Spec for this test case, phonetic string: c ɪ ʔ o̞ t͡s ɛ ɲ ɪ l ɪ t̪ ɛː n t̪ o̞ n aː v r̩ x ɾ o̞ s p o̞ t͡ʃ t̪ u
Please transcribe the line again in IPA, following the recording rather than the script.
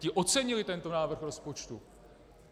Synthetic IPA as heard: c ɪ ʔ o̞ t͡s ɛ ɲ ɪ l ɪ t̪ ɛ n t̪ o̞ n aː v r̩ x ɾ o̞ s p o̞ t͡ʃ t̪ u

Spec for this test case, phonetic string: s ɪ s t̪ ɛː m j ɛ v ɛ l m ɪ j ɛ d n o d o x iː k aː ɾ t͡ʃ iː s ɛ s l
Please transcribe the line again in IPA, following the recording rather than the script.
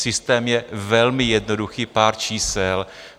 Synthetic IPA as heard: s ɪ s t̪ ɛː m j ɛ v ɛ l m ɪ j ɛ d n o d u x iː p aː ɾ t͡ʃ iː s ɛ l

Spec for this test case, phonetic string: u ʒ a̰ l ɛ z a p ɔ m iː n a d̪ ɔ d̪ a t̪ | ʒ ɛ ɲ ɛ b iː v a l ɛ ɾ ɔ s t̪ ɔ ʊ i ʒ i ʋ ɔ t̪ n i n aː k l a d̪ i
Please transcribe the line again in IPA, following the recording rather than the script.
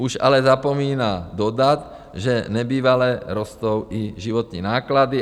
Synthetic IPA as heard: u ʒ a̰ l ɛ z a p ɔ m iː n a d̪ ɔ d̪ a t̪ | ʒ ɛ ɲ ɛ b iː ʋ a l ɛ ɾ ɔ s t̪ ɔ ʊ i ʒ i ʋ ɔ t̪ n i n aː k l a d̪ i

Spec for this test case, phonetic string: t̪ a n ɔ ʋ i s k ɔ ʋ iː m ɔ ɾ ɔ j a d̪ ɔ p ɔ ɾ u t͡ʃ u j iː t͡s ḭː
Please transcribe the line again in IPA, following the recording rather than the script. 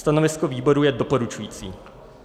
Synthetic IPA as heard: t̪ a n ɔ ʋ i s k ɔ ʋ iː b ɔ ɾ u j ɛ d̪ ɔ p ɔ ɾ u t͡ʃ u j iː t͡s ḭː

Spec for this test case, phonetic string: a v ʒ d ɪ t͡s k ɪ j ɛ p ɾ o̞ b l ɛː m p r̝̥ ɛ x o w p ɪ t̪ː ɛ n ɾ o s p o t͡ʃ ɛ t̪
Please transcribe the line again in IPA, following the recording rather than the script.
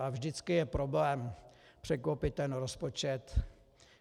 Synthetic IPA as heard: a v ʒ d ɪ t͡s k ɪ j ɛ p ɾ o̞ b l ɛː m p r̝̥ ɛ k o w p ɪ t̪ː ɛ n ɾ o s p o t͡ʃ ɛ t̪

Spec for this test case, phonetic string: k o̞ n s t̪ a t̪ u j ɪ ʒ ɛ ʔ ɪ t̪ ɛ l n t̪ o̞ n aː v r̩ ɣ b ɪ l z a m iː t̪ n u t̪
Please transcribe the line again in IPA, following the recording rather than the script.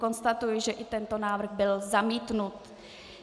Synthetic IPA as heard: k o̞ n s t̪ a t̪ u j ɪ ʒ ɛ ʔ ɪ t̪ ɛ n t̪ o̞ n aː v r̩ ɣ b ɪ l z a m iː t̪ n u t̪

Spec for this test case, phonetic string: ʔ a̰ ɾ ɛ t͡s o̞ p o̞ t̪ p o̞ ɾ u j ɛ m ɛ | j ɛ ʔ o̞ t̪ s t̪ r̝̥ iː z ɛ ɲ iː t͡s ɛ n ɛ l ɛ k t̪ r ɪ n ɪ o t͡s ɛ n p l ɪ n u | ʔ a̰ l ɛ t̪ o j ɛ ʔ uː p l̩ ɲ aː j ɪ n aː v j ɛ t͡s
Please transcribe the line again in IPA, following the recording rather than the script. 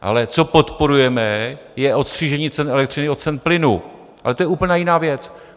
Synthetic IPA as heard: ʔ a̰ l ɛ t͡s o̞ p o̞ t̪ p o̞ ɾ u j ɛ m ɛ | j ɛ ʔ o̞ t̪ s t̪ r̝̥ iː ʒ ɛ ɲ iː t͡s ɛ n ɛ l ɛ k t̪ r ɪ n ɪ o t͡s ɛ n p l ɪ n u | ʔ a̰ l ɛ t̪ o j ɛ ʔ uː p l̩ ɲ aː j ɪ n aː v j ɛ t͡s

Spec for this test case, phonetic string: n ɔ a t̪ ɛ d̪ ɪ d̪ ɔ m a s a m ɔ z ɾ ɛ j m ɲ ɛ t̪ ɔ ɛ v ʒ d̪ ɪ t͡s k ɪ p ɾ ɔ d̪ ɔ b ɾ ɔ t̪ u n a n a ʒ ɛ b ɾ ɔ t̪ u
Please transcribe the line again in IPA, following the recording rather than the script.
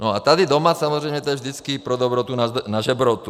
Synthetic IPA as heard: n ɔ a t̪ a d̪ i d̪ ɔ m a s a m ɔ z ɾ ɛ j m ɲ ɛ t̪ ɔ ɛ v ʒ d̪ i t͡s k i p ɾ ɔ d̪ ɔ b ɾ ɔ t̪ u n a n a ʒ ɛ b ɾ ɔ t̪ u

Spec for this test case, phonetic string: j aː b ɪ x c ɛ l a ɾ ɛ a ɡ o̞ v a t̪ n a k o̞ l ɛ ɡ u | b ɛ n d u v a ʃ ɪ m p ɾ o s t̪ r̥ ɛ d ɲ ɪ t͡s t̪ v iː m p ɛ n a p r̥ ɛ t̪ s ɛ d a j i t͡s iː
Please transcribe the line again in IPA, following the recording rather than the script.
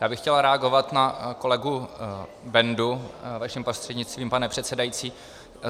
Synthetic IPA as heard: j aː b ɪ x c ɛ l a ɾ ɛ a ɡ o̞ v a t̪ n a k o̞ l ɛ ɡ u | b ɛ n d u v a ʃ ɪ m p ɾ o s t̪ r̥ ɛ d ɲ ɪ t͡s t̪ v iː m p a n ɛ p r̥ ɛ t̪ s ɛ d a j i t͡s iː

